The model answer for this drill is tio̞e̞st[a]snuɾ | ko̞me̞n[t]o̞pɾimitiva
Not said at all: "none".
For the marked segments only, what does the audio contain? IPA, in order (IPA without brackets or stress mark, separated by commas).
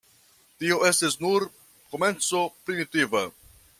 i, t͡s